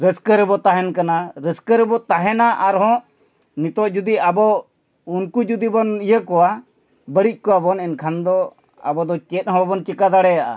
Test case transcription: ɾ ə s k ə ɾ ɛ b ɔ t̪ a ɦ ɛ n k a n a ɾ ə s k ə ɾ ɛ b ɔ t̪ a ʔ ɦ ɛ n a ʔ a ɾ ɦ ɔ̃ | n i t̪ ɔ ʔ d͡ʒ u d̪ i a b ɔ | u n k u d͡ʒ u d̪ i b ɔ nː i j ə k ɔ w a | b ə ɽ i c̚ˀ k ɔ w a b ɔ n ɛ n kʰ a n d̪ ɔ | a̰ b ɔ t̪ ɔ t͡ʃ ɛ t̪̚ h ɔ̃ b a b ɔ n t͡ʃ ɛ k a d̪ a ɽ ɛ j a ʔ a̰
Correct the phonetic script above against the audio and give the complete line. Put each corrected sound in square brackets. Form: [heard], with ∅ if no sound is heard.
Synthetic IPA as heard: ɾ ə s k ə ɾ ɛ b ɔ t̪ a ɦ ɛ n k a n a ɾ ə s k ə ɾ ɛ b ɔ t̪ a [∅] ɦ ɛ n a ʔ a ɾ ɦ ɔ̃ | n i t̪ ɔ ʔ d͡ʒ u d̪ i a b ɔ | u n k u d͡ʒ u d̪ i b ɔ [n] i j ə k ɔ w a | b ə ɽ i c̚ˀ k ɔ w a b ɔ n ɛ n kʰ a n d̪ ɔ | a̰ b ɔ [d̪] ɔ t͡ʃ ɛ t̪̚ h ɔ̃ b a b ɔ n t͡ʃ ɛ k a d̪ a ɽ ɛ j a ʔ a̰

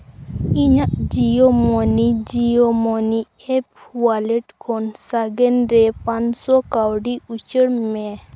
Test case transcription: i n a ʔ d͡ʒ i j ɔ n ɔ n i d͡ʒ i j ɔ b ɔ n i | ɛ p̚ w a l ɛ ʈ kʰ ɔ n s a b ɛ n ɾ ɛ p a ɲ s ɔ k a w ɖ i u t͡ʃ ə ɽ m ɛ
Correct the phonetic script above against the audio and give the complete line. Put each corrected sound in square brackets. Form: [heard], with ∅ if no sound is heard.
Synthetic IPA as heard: i [ɲ] a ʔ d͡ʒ i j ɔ [m] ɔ n i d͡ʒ i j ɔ [m] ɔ n i | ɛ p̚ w a l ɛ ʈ kʰ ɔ n s a [ɡ] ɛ n ɾ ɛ p a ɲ s ɔ k a w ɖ i u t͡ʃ ə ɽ m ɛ

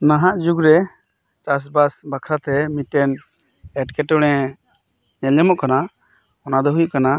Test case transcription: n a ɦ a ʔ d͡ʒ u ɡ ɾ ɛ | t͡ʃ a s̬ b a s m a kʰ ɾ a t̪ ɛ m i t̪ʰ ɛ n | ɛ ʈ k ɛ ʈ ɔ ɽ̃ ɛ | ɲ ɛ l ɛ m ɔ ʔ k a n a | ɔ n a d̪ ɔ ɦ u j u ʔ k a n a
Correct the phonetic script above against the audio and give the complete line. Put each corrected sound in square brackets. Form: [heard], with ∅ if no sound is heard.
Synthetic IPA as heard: n a ɦ a ʔ d͡ʒ u ɡ ɾ ɛ | t͡ʃ a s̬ b a s [b] a kʰ ɾ a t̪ ɛ m i [t̪] ɛ n | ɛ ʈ k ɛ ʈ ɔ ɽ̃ ɛ | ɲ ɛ l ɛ m ɔ ʔ k a n a | ɔ n a d̪ ɔ ɦ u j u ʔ k a n a

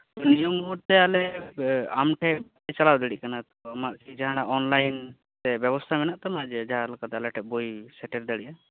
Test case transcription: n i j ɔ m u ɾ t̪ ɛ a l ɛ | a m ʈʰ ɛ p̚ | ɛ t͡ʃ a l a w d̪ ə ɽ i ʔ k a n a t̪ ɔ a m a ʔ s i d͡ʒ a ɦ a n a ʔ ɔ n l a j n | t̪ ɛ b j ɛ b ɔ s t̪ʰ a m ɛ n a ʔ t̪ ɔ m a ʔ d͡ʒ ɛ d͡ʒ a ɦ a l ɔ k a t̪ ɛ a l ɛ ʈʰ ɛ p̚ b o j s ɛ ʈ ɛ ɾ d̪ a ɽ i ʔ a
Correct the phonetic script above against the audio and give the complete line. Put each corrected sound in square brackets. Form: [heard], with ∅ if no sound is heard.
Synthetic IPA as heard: n i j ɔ m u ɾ t̪ ɛ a l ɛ | a m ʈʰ ɛ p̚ | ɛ t͡ʃ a l a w d̪ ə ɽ i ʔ k a n a t̪ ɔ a m a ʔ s i d͡ʒ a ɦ a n a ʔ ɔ n l a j n | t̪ ɛ b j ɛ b ɔ s t̪ʰ a m ɛ n a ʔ t̪ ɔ m a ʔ d͡ʒ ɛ d͡ʒ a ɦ a l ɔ k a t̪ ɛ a l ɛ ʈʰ ɛ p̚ b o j s ɛ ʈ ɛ ɾ d̪ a ɽ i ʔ a

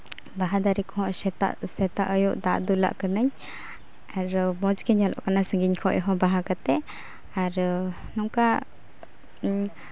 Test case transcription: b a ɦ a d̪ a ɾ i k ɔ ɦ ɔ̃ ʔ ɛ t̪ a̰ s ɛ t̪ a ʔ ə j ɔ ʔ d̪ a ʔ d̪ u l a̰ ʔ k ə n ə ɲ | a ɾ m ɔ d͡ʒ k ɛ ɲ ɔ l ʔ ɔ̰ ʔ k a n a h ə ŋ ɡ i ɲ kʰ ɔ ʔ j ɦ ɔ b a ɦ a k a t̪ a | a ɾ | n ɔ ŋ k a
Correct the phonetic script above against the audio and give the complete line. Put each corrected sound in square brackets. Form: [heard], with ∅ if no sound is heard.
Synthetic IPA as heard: b a ɦ a d̪ a ɾ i k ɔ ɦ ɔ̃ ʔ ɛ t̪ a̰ s ɛ t̪ a ʔ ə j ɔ ʔ d̪ a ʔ d̪ u l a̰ ʔ k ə n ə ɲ | a ɾ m ɔ d͡ʒ k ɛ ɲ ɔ l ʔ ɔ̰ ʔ k a n a [s] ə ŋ ɡ i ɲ kʰ ɔ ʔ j ɦ ɔ b a ɦ a k a t̪ [ɛ] | a ɾ | n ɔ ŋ k a

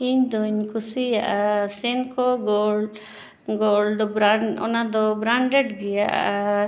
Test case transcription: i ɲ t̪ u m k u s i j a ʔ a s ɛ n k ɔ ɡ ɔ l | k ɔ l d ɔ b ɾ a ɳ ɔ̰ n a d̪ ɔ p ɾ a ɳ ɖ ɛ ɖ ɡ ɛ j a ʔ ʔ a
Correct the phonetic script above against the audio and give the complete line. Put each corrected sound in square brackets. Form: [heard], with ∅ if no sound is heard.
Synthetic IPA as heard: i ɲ [d̪] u [ɲ] k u s i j a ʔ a s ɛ n k ɔ ɡ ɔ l | [ɡ] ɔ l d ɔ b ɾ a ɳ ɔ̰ n a d̪ ɔ [b] ɾ a ɳ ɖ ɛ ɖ ɡ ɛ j a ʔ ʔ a

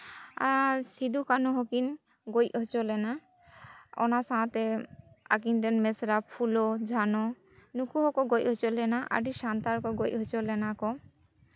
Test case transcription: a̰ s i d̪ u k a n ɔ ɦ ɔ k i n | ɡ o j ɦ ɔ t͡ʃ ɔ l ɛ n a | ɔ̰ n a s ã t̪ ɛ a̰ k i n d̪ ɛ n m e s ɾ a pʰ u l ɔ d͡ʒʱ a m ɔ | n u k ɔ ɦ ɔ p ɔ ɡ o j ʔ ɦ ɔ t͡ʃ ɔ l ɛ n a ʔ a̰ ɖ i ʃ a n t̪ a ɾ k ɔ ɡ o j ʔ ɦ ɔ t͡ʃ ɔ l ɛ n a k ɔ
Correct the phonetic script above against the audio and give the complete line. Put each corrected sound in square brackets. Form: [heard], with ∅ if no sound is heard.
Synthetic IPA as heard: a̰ s i d̪ u k a n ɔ ɦ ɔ k i n | ɡ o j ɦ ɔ t͡ʃ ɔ l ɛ n a | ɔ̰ n a s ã t̪ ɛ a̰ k i n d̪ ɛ n m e s ɾ a pʰ u l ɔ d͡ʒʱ a [n] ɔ | n u k [u] ɦ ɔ [k] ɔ ɡ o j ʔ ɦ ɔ t͡ʃ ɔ l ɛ n a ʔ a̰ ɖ i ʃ a n t̪ a ɾ k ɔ ɡ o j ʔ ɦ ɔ t͡ʃ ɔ l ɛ n a k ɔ

